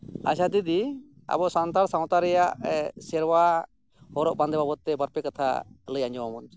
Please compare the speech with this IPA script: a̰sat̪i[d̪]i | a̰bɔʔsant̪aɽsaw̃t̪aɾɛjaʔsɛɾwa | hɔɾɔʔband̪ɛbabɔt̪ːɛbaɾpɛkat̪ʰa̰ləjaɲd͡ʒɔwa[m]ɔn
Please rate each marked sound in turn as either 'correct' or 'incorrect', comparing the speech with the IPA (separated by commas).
correct, correct